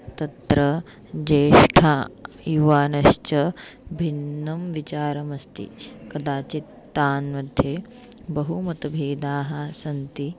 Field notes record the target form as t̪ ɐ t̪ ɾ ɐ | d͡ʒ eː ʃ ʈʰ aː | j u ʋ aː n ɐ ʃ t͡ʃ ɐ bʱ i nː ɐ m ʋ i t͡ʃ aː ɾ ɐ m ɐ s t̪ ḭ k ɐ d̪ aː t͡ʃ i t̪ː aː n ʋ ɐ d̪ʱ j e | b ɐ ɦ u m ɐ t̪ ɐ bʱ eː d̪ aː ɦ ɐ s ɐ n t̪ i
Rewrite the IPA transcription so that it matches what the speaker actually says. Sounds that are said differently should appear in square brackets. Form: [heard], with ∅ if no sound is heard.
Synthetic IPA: t̪ ɐ t̪ ɾ ɐ | d͡ʒ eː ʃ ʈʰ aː | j u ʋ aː n ɐ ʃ t͡ʃ ɐ bʱ i nː ɐ m ʋ i t͡ʃ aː ɾ ɐ m ɐ s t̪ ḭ k ɐ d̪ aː t͡ʃ i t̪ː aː n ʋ ɐ d̪ʱ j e | b ɐ ɦ u m ɐ t̪ ɐ bʱ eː d̪ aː ɦ ɐ s ɐ n t̪ i

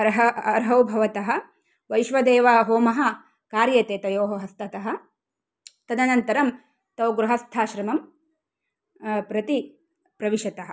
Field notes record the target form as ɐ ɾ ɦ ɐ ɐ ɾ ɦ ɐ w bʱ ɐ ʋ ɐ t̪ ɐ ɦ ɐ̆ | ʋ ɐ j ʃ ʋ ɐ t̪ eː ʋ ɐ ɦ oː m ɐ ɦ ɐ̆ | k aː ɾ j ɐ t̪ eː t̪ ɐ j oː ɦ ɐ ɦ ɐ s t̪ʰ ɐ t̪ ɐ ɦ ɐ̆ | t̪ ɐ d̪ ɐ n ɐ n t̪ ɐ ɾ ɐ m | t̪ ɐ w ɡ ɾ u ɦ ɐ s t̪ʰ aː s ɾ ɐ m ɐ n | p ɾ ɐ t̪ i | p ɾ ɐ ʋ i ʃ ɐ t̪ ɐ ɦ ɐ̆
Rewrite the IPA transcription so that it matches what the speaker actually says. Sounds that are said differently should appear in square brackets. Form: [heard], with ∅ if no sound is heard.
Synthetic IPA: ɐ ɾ ɦ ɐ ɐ ɾ ɦ ɐ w bʱ ɐ ʋ ɐ t̪ ɐ ɦ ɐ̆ | ʋ ɐ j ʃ ʋ ɐ [d̪] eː ʋ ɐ ɦ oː m ɐ ɦ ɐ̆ | k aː ɾ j ɐ t̪ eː t̪ ɐ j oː ɦ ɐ ɦ ɐ s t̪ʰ ɐ t̪ ɐ ɦ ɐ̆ | t̪ ɐ d̪ ɐ n ɐ n t̪ ɐ ɾ ɐ m | t̪ ɐ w ɡ ɾ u ɦ ɐ s t̪ʰ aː [ʃ] ɾ ɐ m ɐ [m] | p ɾ ɐ t̪ i | p ɾ ɐ ʋ i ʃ ɐ t̪ ɐ ɦ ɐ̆

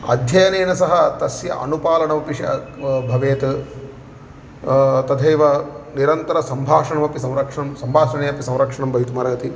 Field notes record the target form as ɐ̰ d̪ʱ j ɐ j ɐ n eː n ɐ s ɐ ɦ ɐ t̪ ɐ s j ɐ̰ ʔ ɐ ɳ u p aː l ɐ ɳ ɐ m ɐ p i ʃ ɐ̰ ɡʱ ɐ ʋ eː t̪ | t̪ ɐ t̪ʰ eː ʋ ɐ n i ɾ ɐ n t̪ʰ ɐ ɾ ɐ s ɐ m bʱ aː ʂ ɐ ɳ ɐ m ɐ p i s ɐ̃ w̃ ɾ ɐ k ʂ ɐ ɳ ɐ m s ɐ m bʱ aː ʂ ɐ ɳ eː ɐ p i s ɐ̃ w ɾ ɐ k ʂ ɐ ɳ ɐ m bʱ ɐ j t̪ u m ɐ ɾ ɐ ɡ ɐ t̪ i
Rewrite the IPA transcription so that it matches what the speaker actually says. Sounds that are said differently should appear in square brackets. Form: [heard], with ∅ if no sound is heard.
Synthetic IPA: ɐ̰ d̪ʱ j ɐ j ɐ n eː n ɐ s ɐ ɦ ɐ t̪ ɐ s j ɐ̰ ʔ ɐ [n] u p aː l ɐ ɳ ɐ m ɐ p i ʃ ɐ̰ [bʱ] ɐ ʋ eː t̪ | t̪ ɐ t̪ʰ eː ʋ ɐ n i ɾ ɐ n [t̪] ɐ ɾ ɐ s ɐ m bʱ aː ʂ ɐ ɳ ɐ m ɐ p i s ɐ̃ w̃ ɾ ɐ k ʂ ɐ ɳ ɐ m s ɐ m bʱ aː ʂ ɐ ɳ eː ɐ p i s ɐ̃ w ɾ ɐ k ʂ ɐ ɳ ɐ m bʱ ɐ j t̪ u m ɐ ɾ ɐ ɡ ɐ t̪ i

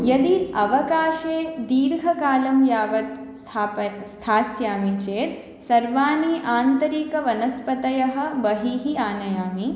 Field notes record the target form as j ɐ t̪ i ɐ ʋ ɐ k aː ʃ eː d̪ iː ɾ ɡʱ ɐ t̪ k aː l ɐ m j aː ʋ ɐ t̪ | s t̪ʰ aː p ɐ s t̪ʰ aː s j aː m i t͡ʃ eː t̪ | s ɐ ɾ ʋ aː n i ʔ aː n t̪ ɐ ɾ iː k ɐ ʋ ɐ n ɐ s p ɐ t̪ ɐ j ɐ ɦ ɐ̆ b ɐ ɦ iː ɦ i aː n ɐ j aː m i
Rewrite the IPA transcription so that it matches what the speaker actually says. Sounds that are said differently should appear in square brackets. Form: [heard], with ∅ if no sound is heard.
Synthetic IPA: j ɐ [d̪] i ɐ ʋ ɐ k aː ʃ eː d̪ iː ɾ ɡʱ ɐ [∅] k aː l ɐ m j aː ʋ ɐ t̪ | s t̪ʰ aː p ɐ s t̪ʰ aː s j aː m i t͡ʃ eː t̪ | s ɐ ɾ ʋ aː n i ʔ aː n t̪ ɐ ɾ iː k ɐ ʋ ɐ n ɐ s p ɐ t̪ ɐ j ɐ ɦ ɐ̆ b ɐ ɦ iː ɦ i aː n ɐ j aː m i

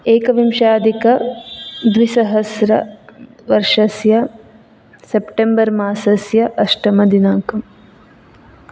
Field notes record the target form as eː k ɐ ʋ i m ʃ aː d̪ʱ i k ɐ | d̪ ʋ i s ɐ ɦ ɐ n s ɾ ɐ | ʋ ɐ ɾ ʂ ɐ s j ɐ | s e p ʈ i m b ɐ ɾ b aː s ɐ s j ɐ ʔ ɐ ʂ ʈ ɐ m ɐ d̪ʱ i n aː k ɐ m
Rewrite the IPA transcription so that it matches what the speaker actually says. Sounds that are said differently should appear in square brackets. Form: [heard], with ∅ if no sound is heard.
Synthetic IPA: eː k ɐ ʋ i m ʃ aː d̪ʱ i k ɐ | d̪ ʋ i s ɐ ɦ ɐ [∅] s ɾ ɐ | ʋ ɐ ɾ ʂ ɐ s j ɐ | s e p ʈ [e] m b ɐ ɾ [m] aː s ɐ s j ɐ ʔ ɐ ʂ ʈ ɐ m ɐ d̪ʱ i n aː k ɐ m

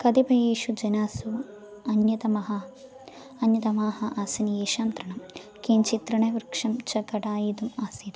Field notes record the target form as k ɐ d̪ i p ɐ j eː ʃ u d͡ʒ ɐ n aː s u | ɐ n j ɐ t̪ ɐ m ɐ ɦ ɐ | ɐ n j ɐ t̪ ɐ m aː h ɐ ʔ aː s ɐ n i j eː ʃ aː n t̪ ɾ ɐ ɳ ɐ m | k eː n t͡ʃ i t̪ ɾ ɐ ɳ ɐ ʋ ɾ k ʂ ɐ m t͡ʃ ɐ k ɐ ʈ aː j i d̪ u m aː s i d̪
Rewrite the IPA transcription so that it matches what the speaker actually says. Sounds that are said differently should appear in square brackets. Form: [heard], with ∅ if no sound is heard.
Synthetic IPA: k ɐ d̪ i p ɐ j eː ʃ u d͡ʒ ɐ n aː s u | ɐ n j ɐ t̪ ɐ m ɐ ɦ ɐ | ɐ n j ɐ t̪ ɐ m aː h ɐ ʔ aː s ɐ n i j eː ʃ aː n t̪ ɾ ɐ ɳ ɐ m | k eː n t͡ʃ i t̪ ɾ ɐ ɳ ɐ ʋ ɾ k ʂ ɐ m t͡ʃ ɐ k ɐ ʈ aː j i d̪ u m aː s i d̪

